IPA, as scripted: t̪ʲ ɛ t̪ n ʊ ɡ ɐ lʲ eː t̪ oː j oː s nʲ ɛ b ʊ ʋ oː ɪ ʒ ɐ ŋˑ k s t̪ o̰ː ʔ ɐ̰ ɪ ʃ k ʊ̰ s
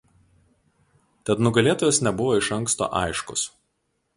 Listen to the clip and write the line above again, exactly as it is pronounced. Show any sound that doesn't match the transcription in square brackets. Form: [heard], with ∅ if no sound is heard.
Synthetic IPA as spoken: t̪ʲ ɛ t̪ n ʊ ɡ ɐ lʲ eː t̪ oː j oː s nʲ ɛ b ʊ ʋ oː ɪ [ʃ] ɐ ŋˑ k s t̪ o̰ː ʔ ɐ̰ ɪ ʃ k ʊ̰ s

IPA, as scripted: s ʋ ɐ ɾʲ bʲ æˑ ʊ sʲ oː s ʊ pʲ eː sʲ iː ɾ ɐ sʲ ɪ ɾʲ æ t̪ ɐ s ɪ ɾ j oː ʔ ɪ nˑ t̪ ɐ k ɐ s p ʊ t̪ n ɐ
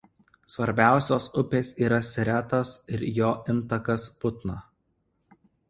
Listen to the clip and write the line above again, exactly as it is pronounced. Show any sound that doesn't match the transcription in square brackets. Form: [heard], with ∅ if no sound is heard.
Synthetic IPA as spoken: s ʋ ɐ ɾʲ bʲ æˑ ʊ sʲ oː s ʊ pʲ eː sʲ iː ɾ ɐ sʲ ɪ ɾʲ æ t̪ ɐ s ɪ ɾ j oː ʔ ɪ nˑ t̪ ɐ k ɐ s p ʊ t̪ n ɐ

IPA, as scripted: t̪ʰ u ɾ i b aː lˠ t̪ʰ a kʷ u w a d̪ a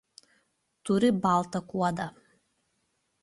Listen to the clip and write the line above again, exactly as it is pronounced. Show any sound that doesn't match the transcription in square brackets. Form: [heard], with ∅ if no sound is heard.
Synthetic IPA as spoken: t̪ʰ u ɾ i b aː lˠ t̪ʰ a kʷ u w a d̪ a

